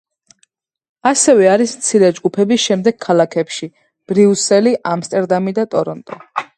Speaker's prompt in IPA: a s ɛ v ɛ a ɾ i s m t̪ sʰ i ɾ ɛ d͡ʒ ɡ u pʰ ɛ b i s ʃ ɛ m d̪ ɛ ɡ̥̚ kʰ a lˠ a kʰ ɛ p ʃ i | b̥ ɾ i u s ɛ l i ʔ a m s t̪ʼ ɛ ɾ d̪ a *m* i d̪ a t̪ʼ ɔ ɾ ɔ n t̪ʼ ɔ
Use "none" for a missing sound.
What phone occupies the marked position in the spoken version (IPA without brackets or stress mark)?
m